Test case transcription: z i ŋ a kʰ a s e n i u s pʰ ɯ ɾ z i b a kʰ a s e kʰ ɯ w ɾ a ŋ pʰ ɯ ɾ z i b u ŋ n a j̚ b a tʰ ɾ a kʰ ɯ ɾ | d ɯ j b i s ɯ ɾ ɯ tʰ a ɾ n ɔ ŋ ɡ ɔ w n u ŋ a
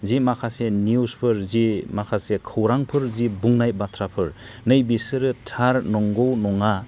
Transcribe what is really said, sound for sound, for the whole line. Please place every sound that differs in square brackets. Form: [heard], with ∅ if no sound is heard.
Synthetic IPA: z i [m] a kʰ a s e n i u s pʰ ɯ ɾ z i [m] a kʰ a s e kʰ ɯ w ɾ a ŋ pʰ ɯ ɾ z i b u ŋ n a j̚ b a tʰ ɾ a [pʰ] ɯ ɾ | [n] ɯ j b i s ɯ ɾ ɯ tʰ a ɾ n ɔ ŋ ɡ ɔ w n [ɔ] ŋ a